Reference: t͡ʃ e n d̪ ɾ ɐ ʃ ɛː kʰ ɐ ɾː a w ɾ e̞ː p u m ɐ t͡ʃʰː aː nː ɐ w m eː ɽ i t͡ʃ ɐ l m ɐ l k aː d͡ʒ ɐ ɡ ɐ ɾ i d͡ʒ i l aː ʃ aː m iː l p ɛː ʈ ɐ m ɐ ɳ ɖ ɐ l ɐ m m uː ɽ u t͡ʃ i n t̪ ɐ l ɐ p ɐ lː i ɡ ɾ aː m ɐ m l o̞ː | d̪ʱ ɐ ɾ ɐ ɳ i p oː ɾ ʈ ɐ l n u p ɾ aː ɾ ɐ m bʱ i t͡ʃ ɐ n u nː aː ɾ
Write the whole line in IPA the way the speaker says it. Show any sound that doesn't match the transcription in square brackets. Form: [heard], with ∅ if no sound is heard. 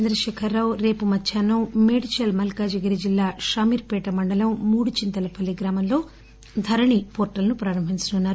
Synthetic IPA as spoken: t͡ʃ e n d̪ ɾ ɐ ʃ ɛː kʰ ɐ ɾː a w ɾ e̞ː p u m ɐ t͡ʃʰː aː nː ɐ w m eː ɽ i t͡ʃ ɐ l m ɐ l k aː d͡ʒ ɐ ɡ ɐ ɾ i d͡ʒ i [lː] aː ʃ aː m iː [ɾ] p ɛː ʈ ɐ m ɐ ɳ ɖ ɐ l ɐ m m uː ɽ u t͡ʃ i n t̪ ɐ l ɐ p ɐ lː i ɡ ɾ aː m ɐ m l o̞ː | d̪ʱ ɐ ɾ ɐ ɳ i p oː ɾ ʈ ɐ l n u p ɾ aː ɾ ɐ m bʱ i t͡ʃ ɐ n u nː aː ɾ